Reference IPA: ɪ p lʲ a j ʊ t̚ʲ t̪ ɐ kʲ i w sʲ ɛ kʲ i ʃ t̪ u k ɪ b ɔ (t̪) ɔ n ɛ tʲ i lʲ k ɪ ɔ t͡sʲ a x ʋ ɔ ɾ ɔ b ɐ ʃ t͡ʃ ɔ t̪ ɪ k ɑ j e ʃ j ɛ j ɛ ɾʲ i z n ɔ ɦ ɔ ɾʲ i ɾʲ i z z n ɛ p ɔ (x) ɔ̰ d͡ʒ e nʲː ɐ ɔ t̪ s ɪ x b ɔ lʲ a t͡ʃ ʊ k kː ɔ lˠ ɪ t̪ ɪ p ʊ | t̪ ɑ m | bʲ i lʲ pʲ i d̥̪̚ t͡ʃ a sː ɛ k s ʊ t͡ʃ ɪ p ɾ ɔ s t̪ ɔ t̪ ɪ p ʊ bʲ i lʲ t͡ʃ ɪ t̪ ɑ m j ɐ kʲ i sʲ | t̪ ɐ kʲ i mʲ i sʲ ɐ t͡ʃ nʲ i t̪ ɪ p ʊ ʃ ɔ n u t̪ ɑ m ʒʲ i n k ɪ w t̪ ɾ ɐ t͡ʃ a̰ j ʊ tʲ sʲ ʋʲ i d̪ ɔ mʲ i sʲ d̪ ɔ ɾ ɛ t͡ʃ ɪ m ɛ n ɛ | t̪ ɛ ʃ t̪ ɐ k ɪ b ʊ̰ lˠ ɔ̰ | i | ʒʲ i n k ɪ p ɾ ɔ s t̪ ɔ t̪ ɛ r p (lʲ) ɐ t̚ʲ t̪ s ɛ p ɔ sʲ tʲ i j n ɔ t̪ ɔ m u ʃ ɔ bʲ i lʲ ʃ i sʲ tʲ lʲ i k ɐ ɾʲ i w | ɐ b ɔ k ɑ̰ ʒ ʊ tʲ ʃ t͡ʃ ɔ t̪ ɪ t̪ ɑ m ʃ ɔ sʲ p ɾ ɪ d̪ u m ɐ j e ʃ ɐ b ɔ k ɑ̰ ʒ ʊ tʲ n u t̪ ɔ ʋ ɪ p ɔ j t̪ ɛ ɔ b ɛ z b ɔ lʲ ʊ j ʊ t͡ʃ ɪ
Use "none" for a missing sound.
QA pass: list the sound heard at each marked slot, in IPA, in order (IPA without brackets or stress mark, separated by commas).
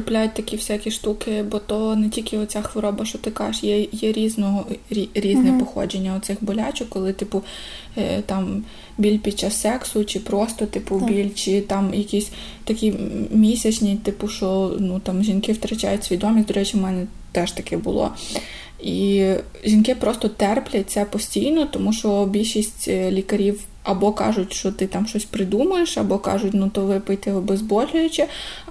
t̪, x, lʲ